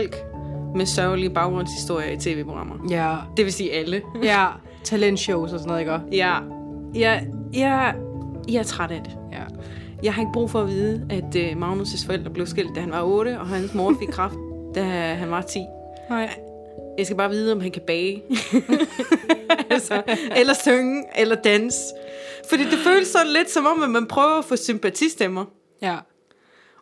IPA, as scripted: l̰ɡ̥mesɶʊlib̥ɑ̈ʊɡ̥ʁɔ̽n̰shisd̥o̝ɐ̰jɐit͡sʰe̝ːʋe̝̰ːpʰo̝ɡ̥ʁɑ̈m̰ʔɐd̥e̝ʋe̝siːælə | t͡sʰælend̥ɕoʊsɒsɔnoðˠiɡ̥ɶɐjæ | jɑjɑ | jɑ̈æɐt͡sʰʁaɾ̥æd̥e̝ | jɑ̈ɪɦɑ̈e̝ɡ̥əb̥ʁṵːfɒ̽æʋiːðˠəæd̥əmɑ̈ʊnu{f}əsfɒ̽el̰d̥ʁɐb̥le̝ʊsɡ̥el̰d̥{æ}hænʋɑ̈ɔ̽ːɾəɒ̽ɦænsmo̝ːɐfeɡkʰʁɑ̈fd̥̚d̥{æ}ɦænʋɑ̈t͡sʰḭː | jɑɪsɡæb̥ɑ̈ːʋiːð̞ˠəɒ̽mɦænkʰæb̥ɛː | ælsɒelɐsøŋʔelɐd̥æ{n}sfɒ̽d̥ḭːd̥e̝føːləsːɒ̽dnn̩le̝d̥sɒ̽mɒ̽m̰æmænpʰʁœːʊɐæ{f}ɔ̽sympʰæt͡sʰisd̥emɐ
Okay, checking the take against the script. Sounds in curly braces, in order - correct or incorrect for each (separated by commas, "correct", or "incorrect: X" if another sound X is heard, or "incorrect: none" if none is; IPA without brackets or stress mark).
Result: incorrect: s, correct, correct, correct, correct